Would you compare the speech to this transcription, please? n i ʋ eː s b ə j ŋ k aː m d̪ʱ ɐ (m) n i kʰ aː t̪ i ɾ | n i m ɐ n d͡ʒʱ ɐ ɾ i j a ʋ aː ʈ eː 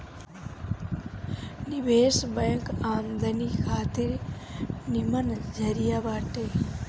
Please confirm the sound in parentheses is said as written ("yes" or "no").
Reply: no